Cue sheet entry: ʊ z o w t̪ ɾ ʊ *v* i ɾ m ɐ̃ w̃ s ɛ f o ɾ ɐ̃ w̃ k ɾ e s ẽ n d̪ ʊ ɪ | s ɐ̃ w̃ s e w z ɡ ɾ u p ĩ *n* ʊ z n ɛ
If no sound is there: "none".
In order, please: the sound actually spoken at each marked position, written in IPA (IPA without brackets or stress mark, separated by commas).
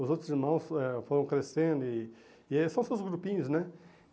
z, ɲ